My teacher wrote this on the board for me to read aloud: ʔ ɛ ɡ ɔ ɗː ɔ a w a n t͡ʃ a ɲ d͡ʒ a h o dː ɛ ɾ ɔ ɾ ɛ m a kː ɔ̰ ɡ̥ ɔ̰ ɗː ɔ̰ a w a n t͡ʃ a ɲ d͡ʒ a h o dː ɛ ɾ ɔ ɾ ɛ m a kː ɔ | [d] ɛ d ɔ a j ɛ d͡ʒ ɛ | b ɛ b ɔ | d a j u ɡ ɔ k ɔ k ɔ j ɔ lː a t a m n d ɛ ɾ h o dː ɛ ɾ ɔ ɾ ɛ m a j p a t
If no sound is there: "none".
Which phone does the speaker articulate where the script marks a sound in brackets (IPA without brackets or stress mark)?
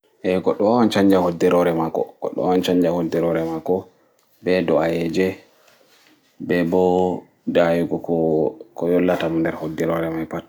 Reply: b